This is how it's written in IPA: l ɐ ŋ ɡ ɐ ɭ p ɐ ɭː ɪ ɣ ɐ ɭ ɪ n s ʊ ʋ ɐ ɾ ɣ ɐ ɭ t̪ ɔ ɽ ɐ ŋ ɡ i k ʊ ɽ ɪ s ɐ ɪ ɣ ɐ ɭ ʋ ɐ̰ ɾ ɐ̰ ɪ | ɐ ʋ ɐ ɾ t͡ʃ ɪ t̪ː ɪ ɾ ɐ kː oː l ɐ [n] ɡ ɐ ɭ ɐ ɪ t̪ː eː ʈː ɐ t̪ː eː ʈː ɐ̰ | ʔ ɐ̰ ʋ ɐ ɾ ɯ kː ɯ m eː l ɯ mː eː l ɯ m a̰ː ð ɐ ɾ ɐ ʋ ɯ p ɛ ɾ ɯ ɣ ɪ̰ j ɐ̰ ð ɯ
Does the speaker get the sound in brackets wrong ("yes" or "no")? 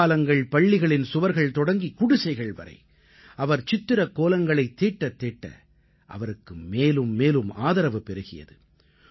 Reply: yes